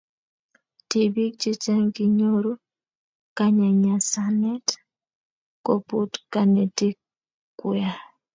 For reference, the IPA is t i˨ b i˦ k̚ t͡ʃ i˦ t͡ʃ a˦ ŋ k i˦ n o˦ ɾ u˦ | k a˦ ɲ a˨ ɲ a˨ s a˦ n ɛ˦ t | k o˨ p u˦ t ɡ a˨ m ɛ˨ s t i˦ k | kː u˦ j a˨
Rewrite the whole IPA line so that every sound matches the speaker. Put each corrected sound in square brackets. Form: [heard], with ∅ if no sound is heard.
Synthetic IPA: t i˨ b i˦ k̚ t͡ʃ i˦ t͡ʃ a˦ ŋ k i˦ [ɲ] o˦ ɾ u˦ | k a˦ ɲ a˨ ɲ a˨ s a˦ n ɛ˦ t | k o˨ p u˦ t [k] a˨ [n] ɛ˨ [∅] t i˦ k | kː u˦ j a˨